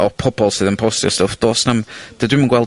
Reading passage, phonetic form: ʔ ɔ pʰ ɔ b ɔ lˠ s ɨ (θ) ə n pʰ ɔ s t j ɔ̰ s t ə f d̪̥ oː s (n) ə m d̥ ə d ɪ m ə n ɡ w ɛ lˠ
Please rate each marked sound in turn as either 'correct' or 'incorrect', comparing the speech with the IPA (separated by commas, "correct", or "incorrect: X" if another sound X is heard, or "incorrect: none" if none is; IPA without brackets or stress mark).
incorrect: ð, correct